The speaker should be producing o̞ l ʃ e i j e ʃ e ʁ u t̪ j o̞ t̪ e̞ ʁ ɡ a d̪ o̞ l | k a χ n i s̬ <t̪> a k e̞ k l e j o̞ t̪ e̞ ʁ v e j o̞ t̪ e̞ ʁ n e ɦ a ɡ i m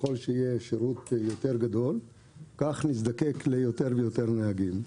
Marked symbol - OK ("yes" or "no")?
no